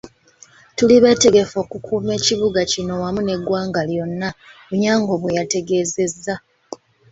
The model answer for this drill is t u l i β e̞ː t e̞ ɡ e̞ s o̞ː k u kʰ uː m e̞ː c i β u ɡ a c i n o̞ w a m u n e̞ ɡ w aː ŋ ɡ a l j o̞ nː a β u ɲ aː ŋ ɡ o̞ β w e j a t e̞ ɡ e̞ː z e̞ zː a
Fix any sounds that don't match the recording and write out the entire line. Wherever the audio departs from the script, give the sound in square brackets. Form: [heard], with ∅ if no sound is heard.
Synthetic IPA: t u l i β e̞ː t e̞ ɡ e̞ [f] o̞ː k u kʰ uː m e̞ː c i β u ɡ a c i n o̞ w a m u n e̞ ɡ w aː ŋ ɡ a l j o̞ nː a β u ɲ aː ŋ ɡ o̞ β w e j a t e̞ ɡ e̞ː z e̞ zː a